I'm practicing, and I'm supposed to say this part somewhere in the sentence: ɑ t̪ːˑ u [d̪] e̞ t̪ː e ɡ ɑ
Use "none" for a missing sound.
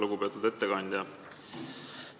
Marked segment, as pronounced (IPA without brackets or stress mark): d̪